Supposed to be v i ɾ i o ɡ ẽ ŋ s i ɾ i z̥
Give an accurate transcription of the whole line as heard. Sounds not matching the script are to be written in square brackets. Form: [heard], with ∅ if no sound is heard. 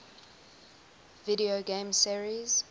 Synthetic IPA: v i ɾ i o ɡ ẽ [m] s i [ɹ] i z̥